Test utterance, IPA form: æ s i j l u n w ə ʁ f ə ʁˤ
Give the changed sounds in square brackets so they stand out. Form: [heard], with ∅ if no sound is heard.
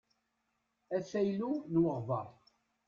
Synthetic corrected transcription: æ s [æ] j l u n w ə ʁ [v] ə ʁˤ